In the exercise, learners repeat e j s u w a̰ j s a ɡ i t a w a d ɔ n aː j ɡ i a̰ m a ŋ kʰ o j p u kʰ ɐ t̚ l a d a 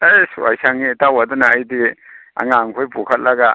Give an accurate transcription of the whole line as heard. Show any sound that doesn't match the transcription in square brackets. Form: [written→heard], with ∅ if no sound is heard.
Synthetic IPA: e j s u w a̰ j s a [ɡ→ŋ] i t a w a d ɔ n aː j [ɡ→d] i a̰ [m→ŋ] a ŋ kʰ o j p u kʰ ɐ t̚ l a [d→ɡ] a